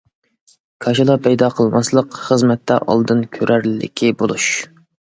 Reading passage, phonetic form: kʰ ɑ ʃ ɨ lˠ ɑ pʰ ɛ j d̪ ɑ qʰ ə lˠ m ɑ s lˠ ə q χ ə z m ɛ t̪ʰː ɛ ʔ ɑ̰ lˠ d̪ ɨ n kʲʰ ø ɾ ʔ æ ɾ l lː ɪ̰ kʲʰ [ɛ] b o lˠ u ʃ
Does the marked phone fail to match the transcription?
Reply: yes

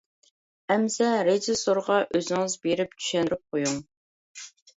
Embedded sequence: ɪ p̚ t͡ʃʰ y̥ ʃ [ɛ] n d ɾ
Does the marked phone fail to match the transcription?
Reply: no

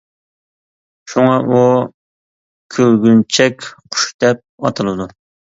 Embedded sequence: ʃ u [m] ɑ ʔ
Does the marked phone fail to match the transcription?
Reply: yes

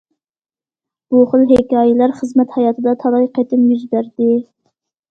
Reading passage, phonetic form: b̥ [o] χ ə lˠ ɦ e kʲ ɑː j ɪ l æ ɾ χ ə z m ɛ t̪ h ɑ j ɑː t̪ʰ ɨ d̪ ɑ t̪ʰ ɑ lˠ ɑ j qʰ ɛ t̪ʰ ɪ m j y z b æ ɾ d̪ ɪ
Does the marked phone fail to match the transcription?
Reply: yes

